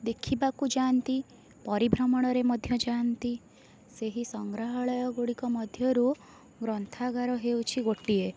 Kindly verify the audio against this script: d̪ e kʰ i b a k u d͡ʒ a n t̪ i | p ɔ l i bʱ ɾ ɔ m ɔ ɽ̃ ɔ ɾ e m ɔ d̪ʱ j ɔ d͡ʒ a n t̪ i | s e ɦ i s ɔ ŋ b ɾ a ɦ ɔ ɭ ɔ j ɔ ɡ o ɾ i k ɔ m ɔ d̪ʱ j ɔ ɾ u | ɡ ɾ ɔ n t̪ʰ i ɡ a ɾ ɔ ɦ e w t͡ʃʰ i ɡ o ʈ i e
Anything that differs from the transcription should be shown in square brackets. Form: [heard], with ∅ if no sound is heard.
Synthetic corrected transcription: d̪ e kʰ i b a k u d͡ʒ a n t̪ i | p ɔ [ɾ] i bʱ ɾ ɔ m ɔ ɽ̃ ɔ ɾ e m ɔ d̪ʱ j ɔ d͡ʒ a n t̪ i | s e ɦ i s ɔ ŋ [ɡ] ɾ a ɦ ɔ ɭ ɔ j ɔ ɡ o [ɽ] i k ɔ m ɔ d̪ʱ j ɔ ɾ u | ɡ ɾ ɔ n t̪ʰ [a] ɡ a ɾ ɔ ɦ e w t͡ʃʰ i ɡ o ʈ i e